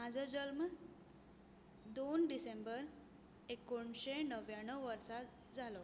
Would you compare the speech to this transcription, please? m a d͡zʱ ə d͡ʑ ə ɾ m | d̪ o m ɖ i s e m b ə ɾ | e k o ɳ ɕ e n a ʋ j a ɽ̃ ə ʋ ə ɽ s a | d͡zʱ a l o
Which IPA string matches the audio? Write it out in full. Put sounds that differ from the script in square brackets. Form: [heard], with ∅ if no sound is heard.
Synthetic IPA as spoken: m a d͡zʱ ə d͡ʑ ə [l] m | d̪ o [n] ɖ i s e m b ə ɾ | e k o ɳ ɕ e n [ə] ʋ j a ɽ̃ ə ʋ ə [ɾ] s a | d͡zʱ a l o